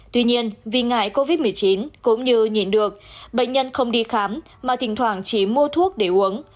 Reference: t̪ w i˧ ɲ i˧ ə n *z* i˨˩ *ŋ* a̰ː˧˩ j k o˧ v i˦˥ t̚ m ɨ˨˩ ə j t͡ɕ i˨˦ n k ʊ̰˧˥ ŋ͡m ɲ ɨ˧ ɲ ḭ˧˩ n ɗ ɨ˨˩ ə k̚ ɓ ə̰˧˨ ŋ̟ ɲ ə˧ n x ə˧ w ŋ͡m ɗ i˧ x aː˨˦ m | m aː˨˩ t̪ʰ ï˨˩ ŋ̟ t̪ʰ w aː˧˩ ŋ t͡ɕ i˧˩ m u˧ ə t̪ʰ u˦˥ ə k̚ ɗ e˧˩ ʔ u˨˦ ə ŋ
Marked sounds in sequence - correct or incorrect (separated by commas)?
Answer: incorrect, correct